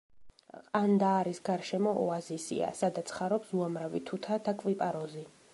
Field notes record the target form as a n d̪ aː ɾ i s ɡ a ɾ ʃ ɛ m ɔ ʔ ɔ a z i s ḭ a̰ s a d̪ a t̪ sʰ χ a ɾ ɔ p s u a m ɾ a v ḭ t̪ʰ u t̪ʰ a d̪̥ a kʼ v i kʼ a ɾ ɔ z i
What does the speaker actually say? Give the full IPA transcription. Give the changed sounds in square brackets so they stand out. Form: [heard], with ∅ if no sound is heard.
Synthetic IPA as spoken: a n d̪ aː ɾ i s ɡ a ɾ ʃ ɛ m ɔ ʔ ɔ a z i s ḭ a̰ s a d̪ a t̪ sʰ χ a ɾ ɔ p s u a m ɾ a v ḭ t̪ʰ u t̪ʰ a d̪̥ a kʼ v i [pʼ] a ɾ ɔ z i